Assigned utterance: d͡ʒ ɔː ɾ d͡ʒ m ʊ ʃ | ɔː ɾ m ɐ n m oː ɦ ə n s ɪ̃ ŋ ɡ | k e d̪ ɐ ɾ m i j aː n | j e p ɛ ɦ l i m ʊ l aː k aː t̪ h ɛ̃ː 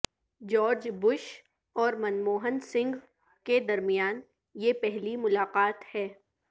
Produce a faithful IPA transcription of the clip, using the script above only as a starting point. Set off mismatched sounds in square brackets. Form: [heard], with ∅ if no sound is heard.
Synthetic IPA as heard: d͡ʒ ɔː ɾ d͡ʒ [b] ʊ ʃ | ɔː ɾ m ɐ n m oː ɦ ə n s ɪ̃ ŋ ɡ | k e d̪ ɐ ɾ m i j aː n | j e p ɛ ɦ l i m ʊ l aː [q] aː t̪ h [ɛː]